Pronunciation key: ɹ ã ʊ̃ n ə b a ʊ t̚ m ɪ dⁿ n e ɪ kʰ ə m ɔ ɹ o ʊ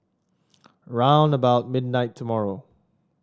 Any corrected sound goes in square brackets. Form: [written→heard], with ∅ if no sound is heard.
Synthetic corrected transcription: ɹ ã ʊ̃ n ə b a ʊ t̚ m ɪ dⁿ n [e→a] ɪ [kʰ→tʰ] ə m ɔ ɹ o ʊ